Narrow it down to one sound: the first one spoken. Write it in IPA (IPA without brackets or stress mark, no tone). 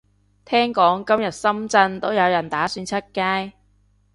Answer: t̪ʰ